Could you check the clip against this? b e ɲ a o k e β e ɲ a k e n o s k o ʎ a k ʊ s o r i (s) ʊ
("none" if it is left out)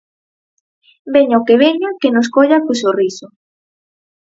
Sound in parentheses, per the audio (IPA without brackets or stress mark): s